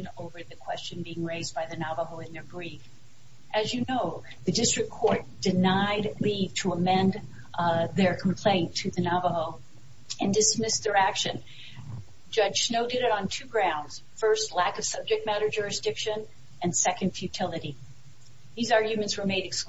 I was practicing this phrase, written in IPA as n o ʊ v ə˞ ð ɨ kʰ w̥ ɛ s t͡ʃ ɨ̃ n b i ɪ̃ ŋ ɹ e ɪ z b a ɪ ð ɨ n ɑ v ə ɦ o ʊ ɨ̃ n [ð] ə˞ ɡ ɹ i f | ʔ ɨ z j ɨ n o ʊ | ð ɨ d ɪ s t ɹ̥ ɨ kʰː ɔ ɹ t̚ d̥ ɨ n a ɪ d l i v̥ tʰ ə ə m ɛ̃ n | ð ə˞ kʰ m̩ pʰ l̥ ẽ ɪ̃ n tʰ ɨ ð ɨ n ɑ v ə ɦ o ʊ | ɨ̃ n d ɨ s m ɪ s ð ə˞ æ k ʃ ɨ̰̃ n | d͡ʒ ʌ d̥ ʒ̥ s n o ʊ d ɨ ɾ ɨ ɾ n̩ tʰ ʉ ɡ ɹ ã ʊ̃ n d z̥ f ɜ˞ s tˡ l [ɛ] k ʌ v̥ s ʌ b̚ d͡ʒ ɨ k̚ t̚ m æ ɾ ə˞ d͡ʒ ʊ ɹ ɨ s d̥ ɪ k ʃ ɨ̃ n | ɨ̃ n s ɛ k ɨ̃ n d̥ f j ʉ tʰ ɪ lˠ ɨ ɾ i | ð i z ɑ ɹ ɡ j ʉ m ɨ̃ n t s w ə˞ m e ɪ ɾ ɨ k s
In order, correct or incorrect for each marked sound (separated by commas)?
correct, incorrect